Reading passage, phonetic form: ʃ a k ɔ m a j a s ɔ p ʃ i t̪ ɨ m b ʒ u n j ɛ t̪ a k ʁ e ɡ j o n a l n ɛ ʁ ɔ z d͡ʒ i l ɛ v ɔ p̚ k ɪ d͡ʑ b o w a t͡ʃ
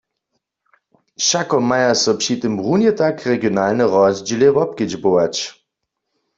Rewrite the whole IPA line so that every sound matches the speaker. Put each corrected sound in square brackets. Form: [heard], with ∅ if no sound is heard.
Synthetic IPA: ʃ a k ɔ m a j a s ɔ p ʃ i t̪ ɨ m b [ʁ] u n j ɛ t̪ a k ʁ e ɡ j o n a l n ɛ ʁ ɔ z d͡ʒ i l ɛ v ɔ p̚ k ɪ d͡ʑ b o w a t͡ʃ